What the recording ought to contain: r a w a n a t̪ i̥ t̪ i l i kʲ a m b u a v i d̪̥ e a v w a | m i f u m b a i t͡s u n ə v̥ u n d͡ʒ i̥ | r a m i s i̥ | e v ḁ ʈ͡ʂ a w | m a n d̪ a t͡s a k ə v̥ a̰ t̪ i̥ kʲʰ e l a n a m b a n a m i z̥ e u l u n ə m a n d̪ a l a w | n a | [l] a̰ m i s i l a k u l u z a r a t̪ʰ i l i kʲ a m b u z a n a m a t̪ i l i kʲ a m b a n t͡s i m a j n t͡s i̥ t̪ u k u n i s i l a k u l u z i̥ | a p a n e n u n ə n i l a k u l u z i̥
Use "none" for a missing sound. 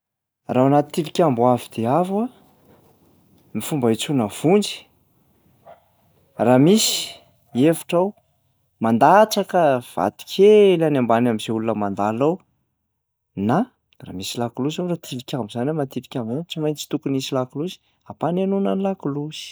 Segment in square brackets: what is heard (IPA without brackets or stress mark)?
r